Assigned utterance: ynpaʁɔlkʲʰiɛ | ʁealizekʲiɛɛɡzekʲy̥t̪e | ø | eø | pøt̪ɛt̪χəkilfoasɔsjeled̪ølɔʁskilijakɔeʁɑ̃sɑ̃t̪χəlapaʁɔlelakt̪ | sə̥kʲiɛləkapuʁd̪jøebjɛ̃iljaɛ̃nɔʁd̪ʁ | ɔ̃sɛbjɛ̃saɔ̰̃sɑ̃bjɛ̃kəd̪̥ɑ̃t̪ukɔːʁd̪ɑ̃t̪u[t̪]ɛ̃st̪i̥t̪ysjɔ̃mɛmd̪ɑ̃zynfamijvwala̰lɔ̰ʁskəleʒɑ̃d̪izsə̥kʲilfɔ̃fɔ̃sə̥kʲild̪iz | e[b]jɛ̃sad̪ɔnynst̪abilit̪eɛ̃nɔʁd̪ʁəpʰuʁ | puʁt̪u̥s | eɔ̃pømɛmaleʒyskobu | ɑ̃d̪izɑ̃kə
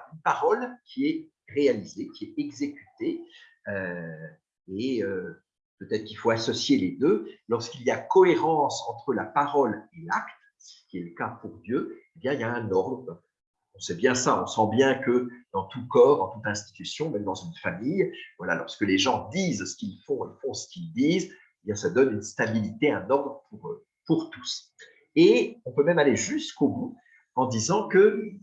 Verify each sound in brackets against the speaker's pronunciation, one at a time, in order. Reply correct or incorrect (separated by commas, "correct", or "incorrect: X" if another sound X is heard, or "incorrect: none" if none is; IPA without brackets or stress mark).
correct, correct